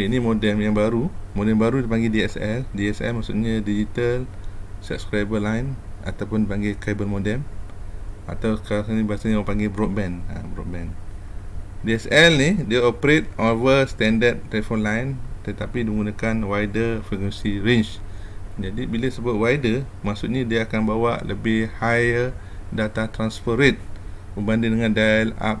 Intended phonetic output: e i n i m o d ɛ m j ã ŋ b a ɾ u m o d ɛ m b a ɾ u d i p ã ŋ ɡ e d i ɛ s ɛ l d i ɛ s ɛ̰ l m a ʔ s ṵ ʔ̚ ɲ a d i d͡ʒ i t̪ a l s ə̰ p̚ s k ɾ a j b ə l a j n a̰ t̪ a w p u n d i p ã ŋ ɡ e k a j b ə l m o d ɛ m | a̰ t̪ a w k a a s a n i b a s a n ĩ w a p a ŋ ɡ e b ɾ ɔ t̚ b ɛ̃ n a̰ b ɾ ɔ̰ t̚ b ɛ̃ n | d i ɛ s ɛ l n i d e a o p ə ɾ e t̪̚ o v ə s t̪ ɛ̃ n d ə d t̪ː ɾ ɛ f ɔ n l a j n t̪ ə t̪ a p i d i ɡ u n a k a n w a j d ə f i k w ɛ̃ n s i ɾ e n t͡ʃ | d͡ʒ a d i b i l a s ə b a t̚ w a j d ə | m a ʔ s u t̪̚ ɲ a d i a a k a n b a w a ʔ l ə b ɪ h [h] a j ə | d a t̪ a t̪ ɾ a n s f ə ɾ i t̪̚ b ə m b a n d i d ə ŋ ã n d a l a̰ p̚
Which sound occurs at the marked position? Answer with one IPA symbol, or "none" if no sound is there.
h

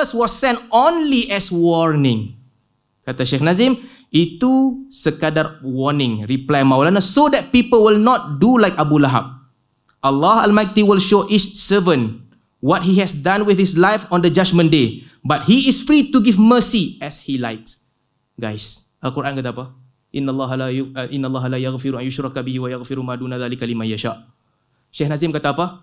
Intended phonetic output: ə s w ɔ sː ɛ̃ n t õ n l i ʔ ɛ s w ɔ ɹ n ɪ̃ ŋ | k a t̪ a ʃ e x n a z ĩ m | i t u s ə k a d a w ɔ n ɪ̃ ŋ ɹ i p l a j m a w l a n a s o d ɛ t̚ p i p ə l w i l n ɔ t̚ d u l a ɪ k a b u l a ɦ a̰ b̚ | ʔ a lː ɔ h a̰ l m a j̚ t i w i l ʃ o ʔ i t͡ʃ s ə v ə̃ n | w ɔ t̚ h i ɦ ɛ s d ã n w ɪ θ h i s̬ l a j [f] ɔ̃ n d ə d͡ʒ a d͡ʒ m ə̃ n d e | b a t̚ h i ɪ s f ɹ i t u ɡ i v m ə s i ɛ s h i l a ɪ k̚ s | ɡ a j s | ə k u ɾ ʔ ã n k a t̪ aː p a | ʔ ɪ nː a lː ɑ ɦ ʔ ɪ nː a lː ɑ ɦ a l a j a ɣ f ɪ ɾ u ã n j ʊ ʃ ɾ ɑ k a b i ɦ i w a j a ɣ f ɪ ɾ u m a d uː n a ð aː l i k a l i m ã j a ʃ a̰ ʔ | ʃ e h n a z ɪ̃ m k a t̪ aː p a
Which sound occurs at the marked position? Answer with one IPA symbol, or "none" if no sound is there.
f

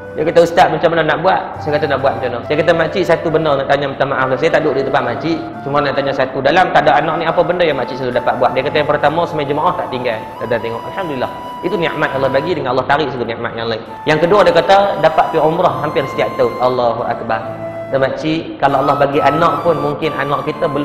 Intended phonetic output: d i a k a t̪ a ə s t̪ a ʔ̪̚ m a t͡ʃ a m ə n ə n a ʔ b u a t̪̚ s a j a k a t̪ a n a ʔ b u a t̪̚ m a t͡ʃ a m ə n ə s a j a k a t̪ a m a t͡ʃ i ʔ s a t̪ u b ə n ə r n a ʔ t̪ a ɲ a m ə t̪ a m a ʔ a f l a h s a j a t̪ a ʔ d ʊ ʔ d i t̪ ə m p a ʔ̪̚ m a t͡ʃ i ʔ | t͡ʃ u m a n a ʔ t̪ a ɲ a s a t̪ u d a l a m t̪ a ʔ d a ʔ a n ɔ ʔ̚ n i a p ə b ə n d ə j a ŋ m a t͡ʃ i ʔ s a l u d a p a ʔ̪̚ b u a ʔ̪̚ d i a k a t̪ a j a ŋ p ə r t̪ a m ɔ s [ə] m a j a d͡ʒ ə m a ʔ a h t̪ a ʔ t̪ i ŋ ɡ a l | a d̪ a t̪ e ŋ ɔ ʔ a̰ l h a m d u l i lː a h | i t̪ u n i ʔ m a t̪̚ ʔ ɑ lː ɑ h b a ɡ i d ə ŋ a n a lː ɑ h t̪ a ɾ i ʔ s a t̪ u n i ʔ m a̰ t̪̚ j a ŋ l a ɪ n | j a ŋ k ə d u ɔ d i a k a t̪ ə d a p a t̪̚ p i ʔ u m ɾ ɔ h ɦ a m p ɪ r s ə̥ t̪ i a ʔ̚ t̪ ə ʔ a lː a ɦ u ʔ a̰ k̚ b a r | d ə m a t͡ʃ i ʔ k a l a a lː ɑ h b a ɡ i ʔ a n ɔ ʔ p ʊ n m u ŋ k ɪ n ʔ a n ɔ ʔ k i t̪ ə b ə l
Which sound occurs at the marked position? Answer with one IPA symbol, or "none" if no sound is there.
ə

